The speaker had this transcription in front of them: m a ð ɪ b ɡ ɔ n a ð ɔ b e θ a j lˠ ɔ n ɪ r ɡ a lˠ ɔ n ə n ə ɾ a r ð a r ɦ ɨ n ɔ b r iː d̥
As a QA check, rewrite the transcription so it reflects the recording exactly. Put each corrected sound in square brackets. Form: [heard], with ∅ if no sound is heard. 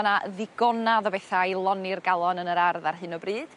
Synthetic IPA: [n] a ð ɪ [∅] ɡ ɔ n a ð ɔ b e θ a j lˠ ɔ n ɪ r ɡ a lˠ ɔ n ə n ə ɾ a r ð a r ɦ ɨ n ɔ b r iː d̥